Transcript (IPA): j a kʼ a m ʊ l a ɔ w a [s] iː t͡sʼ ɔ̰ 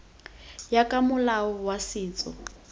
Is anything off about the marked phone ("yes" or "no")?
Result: no